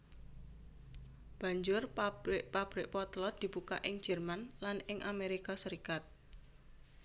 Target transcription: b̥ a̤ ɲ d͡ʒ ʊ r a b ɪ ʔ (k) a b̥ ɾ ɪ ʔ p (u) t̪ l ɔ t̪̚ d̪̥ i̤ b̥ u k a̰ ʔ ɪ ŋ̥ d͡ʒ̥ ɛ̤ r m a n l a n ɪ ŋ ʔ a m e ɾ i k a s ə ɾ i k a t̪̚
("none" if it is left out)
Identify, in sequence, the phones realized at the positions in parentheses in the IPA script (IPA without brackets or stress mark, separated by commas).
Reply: p, ɔ